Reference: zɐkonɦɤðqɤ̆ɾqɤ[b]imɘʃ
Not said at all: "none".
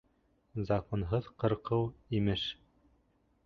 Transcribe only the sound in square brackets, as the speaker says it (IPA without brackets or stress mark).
w